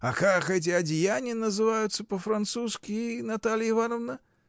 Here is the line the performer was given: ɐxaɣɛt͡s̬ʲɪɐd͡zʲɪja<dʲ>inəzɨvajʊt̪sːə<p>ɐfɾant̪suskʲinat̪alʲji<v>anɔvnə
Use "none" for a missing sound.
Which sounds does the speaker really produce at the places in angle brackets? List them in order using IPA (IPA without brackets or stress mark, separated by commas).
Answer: nʲ, p, v